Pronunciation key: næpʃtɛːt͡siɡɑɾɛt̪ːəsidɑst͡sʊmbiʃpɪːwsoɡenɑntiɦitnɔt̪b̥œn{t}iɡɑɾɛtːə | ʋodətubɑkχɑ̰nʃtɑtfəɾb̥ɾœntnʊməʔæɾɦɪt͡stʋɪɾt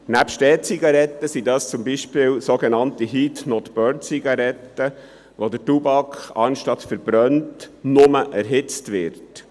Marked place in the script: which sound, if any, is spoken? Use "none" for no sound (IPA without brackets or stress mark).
t͡s